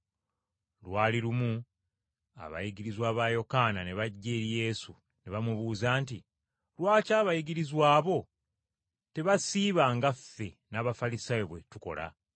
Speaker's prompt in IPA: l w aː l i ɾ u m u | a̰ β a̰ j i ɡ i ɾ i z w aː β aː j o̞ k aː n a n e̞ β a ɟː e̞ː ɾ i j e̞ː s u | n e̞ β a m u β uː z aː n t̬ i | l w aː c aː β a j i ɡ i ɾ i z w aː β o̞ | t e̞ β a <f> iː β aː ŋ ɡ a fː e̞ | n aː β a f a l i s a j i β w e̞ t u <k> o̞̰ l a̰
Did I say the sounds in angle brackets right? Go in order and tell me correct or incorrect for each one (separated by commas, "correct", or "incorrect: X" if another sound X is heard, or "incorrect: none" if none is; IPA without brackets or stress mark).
incorrect: s, correct